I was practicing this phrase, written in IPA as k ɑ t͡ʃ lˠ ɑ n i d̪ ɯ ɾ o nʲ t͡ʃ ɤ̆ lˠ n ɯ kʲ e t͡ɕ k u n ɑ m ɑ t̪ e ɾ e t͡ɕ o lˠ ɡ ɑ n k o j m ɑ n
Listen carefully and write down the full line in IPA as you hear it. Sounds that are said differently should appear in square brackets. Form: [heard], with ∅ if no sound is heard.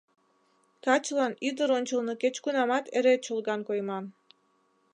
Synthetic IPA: k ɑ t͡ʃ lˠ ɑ n i d̪ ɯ ɾ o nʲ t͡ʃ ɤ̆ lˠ n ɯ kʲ e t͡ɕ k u n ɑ m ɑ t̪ e ɾ e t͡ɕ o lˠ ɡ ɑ n k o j m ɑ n